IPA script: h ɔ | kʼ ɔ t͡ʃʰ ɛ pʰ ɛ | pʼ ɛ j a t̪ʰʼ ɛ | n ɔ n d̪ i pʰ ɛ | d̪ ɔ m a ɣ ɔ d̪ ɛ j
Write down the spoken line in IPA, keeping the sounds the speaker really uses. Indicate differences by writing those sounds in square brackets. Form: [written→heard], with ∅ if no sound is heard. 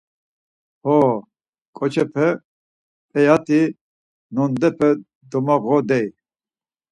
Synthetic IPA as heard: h ɔ | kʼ ɔ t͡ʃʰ ɛ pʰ ɛ | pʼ ɛ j a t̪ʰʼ [ɛ→i] | n ɔ n d̪ [i→ɛ] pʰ ɛ | d̪ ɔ m a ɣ ɔ d̪ ɛ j